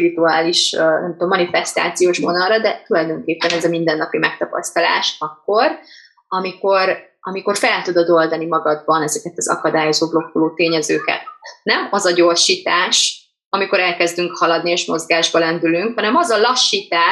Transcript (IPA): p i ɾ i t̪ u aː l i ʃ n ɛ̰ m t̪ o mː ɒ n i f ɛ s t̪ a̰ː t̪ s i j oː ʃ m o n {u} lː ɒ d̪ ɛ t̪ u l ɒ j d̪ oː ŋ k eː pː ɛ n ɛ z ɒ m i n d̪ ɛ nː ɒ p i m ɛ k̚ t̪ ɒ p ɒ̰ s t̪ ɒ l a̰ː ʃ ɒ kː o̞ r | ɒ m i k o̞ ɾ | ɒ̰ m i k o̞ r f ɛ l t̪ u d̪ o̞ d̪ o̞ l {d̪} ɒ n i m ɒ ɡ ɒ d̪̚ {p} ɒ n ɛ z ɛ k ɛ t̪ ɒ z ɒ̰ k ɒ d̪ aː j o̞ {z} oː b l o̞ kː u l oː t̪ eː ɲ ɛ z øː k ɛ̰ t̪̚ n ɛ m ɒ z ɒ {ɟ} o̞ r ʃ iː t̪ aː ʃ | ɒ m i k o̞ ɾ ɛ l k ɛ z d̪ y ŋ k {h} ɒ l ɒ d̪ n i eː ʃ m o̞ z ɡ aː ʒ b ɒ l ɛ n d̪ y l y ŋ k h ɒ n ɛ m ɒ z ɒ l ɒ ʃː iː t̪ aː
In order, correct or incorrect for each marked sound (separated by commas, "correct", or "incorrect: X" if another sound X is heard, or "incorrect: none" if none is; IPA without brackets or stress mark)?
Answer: incorrect: ɒ, correct, incorrect: b, correct, correct, correct